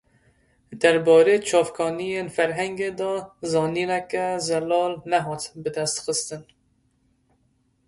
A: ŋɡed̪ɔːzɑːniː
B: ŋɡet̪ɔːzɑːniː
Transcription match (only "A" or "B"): A